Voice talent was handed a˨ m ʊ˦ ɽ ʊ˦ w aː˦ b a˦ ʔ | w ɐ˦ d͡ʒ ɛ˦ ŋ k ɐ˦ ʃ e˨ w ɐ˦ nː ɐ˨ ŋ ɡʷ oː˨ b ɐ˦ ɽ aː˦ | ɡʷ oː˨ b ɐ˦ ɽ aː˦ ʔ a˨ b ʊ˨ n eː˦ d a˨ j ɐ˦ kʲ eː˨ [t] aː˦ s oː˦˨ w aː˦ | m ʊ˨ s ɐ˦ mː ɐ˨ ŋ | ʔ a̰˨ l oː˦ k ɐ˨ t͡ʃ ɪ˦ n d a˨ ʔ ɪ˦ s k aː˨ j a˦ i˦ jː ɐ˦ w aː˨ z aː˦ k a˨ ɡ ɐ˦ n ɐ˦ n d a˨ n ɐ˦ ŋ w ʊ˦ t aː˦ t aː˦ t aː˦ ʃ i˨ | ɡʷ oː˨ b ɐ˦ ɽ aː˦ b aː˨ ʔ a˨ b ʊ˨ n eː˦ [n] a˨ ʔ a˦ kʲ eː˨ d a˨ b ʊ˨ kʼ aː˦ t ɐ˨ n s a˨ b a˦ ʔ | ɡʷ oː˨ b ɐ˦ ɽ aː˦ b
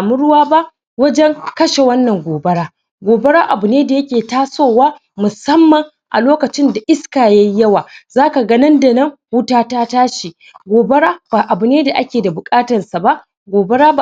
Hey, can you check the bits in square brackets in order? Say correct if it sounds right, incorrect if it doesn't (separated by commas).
correct, incorrect